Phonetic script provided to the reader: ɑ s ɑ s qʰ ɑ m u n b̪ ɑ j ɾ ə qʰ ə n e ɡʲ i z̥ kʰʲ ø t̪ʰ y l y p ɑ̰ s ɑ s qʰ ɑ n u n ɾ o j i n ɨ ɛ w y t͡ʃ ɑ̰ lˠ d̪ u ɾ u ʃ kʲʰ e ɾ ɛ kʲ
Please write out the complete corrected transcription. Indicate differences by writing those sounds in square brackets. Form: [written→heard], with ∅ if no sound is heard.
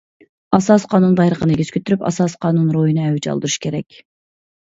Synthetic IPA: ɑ s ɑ s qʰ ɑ [m→n] u n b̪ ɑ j ɾ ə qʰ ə n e ɡʲ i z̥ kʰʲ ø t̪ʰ y [l→ɾ] y p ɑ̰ s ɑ s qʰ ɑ n u n ɾ o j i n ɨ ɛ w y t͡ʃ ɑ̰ lˠ d̪ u ɾ u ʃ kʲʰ e ɾ ɛ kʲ